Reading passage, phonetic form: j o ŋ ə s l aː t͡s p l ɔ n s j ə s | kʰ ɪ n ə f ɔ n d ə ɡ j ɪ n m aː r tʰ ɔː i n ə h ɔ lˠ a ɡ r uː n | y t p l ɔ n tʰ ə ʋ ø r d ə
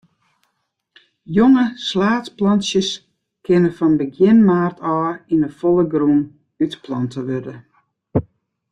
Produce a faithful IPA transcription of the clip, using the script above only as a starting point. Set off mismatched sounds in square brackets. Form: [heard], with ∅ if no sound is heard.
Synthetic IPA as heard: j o ŋ ə s l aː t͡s p l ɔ n s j ə s | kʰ ɪ n ə f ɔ n [b] ə ɡ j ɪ n m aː r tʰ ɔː i n ə [f] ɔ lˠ [ə] ɡ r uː n | y t p l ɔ n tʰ ə ʋ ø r d ə

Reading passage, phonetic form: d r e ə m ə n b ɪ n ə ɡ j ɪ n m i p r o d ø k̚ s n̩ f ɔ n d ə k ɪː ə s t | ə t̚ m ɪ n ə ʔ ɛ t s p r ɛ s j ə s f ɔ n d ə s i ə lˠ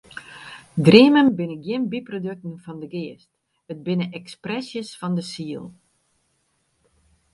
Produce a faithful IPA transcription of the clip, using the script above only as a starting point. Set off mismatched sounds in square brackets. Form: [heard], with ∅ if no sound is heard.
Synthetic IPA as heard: d r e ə m ə n b ɪ n ə ɡ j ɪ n [b] i p r o d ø k̚ [t] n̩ f ɔ n d ə [ɡ] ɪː ə s t | ə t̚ [b] ɪ n ə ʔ ɛ [k] s p r ɛ s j ə s f ɔ n d ə s i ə lˠ

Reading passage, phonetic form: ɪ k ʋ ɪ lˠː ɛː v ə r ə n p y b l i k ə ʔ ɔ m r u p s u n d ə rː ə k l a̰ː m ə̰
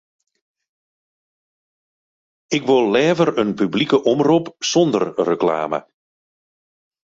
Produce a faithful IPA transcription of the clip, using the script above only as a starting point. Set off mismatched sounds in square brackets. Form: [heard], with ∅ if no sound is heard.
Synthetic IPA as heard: ɪ k ʋ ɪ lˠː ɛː v ə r ə n p y b l i k ə ʔ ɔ m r u p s [ɔ] n d ə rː ə k l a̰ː m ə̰

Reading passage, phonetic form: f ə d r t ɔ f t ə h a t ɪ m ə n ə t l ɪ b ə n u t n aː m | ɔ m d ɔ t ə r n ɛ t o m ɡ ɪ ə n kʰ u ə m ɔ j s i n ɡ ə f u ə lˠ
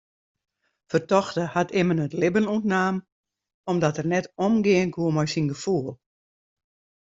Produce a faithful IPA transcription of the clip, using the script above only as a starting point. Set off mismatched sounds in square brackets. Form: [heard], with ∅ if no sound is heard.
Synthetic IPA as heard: f ə [∅] r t ɔ [x] t ə h a t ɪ m ə n ə t l ɪ b ə n u t n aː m | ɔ m d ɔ t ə r n ɛ t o m ɡ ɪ ə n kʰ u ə m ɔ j s i n ɡ ə f u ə lˠ

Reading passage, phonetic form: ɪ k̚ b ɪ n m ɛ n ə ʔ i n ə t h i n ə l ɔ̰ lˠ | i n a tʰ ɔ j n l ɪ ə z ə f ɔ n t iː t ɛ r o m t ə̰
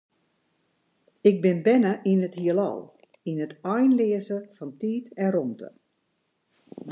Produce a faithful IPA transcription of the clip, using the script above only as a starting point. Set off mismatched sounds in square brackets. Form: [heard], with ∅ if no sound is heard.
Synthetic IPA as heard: ɪ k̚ b ɪ n [b] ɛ n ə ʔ i n ə t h i [∅] ə l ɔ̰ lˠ | i n [ə] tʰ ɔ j n l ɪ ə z ə f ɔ n t iː t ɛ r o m t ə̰

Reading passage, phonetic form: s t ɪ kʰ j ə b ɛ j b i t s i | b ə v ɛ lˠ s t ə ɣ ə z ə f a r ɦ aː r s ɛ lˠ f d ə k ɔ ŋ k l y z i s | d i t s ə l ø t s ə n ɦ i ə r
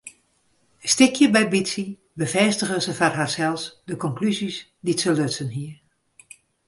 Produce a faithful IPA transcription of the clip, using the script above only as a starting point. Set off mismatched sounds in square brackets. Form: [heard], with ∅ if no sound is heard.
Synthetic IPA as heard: s t ɪ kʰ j ə b ɛ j b i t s i | b ə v ɛ [∅] s t ə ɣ ə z ə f a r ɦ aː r s ɛ lˠ [s] d ə k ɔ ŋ k l y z i s | d i t s ə l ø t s ə n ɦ i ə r

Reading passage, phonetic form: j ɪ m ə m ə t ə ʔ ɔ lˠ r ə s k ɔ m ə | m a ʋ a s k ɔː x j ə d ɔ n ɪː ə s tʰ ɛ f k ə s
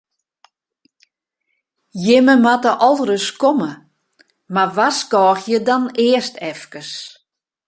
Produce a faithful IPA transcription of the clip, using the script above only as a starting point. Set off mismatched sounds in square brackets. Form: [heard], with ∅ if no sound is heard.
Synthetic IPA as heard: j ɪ m ə m [a] t ə ʔ ɔ lˠ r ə s k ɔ m ə | m a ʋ a s k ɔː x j ə d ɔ n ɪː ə s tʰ ɛ f k ə s

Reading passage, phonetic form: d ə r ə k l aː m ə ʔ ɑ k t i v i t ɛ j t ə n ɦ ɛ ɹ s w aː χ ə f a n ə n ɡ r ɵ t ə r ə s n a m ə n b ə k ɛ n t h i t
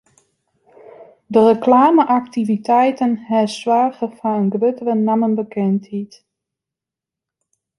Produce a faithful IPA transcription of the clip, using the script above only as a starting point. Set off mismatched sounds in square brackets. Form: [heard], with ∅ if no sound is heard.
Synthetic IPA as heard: d ə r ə k l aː m ə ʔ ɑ k t i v i t ɛ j t ə n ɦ ɛ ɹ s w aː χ ə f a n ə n ɡ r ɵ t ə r ə [∅] n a m ə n b ə k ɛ n t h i t

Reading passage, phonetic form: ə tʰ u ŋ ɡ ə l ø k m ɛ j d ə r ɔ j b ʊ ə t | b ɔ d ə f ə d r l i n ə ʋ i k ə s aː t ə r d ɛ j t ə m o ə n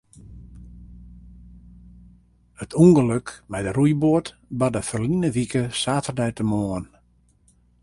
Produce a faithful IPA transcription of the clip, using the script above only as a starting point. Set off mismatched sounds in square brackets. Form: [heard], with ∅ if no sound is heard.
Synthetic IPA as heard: ə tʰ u ŋ ɡ ə l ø k m ɛ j d ə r [u] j b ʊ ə t | b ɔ d ə f ə [∅] r l i n ə ʋ i k ə s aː t ə r d ɛ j t ə m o ə n

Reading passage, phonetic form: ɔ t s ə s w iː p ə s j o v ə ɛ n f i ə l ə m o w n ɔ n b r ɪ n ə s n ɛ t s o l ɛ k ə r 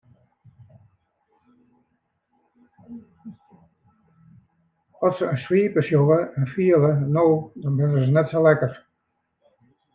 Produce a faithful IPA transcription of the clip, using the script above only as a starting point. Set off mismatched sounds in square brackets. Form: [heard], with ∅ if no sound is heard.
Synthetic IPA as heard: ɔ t s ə s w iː p ə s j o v ə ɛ n f i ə l ə [n] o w [d] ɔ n b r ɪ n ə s n ɛ t s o l ɛ k ə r

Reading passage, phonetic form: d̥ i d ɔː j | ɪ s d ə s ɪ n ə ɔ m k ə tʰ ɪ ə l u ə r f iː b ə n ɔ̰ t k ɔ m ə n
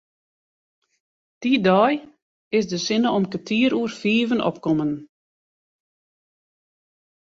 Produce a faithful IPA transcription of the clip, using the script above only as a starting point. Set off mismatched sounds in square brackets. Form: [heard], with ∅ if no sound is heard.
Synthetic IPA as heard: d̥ i d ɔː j | ɪ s d ə s ɪ n ə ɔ m k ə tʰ [i] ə [ɾ] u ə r f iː [v] ə n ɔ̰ [p] k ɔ m ə n

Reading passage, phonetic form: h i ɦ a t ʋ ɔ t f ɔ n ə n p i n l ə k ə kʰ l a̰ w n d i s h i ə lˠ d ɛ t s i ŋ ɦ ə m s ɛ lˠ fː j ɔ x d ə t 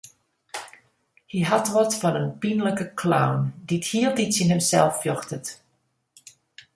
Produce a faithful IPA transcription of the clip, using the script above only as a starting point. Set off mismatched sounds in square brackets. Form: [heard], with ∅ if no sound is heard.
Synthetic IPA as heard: h i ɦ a t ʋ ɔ t f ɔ n ə n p i n l ə k ə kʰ l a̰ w n d i [t] h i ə lˠ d [i] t s i [n] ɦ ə m s ɛ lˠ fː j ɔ x [t] ə t

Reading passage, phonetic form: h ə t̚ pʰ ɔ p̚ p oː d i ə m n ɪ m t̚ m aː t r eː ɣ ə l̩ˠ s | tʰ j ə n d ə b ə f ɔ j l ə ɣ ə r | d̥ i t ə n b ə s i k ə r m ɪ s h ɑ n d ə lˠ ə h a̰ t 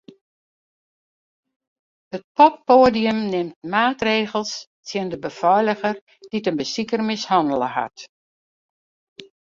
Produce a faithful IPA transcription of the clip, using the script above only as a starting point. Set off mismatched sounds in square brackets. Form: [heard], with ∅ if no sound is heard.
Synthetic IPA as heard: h ə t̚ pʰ ɔ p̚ p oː d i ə m n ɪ m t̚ m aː t r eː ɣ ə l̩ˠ s | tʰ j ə n d ə b ə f ɔ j l ə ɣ ə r | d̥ i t ə n b ə s i k ə r m ɪ s h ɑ n d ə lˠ ə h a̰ t

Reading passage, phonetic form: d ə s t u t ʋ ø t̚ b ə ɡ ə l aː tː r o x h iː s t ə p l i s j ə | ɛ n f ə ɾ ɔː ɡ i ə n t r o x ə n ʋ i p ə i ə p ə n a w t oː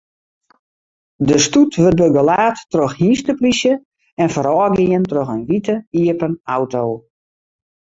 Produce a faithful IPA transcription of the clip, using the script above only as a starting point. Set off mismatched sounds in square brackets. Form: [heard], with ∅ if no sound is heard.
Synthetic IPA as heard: d ə s t u t ʋ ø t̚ b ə ɡ ə l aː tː r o x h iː s t ə p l i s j ə | ɛ n f ə ɾ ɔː ɡ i ə n t r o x ə n ʋ i [t] ə i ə p ə n a w t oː

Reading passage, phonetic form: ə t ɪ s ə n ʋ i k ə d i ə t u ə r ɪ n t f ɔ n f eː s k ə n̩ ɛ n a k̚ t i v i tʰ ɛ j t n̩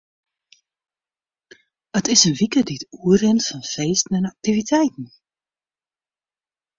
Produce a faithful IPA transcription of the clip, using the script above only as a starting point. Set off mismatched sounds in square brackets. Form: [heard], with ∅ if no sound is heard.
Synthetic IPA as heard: ə t ɪ s ə n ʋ i k ə d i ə t u ə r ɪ n t f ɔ n f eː s [t] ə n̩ ɛ n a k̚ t i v i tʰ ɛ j t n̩

